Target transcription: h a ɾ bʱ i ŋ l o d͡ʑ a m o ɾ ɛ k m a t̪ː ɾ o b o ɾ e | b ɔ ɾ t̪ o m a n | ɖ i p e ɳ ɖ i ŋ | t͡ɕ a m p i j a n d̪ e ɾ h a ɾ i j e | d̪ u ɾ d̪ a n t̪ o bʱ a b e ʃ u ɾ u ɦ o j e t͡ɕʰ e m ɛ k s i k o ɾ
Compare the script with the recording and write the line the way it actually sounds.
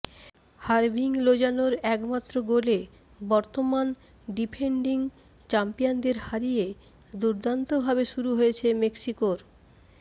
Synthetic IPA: h a ɾ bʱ i ŋ l o d͡ʑ a n o ɾ ɛ k m a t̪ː ɾ o ɡ o l e | b ɔ ɾ t̪ o m a n | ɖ i pʰ e ɳ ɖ i ŋ | t͡ɕ a m p i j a n d̪ e ɾ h a ɾ i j e | d̪ u ɾ d̪ a n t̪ o bʱ a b e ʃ u ɾ u ɦ o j e t͡ɕʰ e m e k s i k o ɾ